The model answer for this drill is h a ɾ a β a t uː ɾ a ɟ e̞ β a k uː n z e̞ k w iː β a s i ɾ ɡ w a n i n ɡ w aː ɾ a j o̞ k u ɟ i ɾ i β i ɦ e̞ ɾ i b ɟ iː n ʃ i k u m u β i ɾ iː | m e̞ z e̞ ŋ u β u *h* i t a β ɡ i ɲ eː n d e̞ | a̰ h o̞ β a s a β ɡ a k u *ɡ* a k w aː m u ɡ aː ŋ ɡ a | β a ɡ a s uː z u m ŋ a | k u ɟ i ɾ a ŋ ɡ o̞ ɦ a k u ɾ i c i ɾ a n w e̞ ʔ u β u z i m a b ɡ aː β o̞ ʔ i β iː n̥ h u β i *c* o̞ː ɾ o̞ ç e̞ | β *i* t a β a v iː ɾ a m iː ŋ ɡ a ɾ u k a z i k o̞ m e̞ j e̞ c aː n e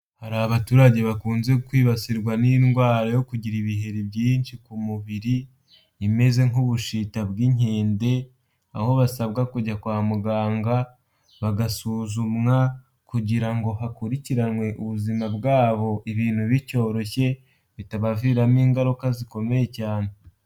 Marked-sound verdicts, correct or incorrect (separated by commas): incorrect, incorrect, correct, correct